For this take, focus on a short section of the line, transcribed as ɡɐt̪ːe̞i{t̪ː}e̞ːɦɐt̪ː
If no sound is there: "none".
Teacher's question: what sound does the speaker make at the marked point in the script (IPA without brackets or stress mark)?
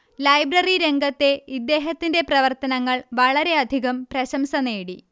d̪ː